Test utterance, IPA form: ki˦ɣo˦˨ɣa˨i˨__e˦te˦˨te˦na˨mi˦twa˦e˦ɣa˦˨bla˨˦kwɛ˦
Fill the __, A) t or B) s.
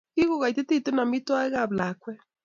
A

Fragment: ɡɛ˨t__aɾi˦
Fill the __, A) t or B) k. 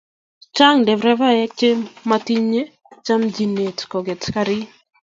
B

